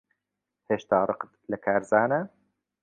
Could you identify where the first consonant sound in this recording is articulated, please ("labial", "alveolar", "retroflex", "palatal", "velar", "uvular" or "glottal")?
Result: glottal